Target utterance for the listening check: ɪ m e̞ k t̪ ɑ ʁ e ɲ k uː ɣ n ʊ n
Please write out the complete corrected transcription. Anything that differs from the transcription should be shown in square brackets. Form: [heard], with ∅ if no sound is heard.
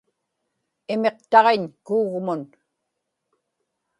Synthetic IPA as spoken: ɪ m e̞ [q] t̪ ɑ ʁ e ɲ k uː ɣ [m] ʊ n